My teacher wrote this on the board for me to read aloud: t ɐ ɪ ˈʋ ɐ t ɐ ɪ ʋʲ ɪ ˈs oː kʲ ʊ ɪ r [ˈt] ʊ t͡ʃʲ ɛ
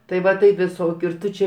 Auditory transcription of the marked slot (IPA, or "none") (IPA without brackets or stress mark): t